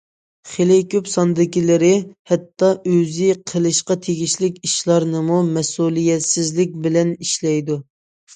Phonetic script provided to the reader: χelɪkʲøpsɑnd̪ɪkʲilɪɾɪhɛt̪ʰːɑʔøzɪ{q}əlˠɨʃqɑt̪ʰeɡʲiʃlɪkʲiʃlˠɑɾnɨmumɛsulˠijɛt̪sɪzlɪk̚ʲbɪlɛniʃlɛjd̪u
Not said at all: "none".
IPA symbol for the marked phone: qʰ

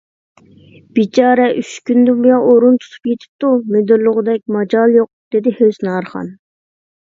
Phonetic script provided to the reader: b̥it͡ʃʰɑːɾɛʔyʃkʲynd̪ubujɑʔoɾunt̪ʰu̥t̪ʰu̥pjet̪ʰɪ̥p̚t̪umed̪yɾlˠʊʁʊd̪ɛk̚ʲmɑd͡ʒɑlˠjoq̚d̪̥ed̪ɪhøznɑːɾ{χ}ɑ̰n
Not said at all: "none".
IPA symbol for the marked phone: χ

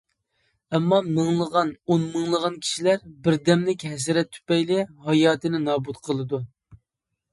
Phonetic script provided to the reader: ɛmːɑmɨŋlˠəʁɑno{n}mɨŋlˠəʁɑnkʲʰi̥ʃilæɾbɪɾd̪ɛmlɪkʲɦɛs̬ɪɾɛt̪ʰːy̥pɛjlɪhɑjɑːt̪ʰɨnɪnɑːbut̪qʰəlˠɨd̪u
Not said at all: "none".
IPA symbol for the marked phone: n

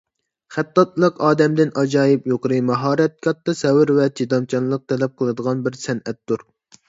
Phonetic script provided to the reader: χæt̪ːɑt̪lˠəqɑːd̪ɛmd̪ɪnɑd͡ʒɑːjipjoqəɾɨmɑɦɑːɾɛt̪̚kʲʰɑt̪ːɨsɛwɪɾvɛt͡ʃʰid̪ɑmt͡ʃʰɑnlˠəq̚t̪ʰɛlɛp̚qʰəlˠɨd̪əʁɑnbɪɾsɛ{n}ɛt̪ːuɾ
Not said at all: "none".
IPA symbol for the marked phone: n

